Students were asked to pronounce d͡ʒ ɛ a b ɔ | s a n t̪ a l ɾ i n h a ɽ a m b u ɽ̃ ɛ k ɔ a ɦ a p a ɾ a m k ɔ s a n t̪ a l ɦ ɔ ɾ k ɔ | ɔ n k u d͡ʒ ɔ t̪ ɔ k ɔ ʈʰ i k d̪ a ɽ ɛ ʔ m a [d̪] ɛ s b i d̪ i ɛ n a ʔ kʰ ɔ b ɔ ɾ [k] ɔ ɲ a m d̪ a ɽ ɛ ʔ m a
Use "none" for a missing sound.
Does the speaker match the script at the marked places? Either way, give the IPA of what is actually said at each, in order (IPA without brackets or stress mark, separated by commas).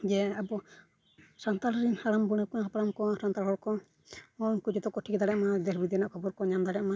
d̪, k